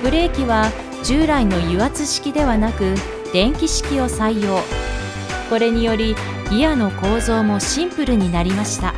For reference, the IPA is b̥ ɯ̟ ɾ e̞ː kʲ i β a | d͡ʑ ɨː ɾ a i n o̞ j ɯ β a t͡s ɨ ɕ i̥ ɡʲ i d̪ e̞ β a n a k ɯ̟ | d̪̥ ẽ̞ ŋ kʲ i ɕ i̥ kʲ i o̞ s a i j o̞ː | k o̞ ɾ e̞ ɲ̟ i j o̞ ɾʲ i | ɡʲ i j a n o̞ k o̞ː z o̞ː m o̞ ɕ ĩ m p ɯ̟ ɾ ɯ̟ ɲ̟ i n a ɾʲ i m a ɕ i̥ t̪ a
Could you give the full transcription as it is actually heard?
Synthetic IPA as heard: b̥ ɯ̟ ɾ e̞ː kʲ i β a | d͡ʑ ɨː ɾ a i n o̞ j ɯ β a t͡s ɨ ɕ i̥ kʲ i d̪ e̞ β a n a k ɯ̟ | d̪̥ ẽ̞ ŋ kʲ i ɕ i̥ kʲ i o̞ s a i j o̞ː | k o̞ ɾ e̞ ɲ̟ i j o̞ ɾʲ i | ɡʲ i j a n o̞ k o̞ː z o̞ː m o̞ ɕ ĩ m p ɯ̟ ɾ ɯ̟ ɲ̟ i n a ɾʲ i m a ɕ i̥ t̪ a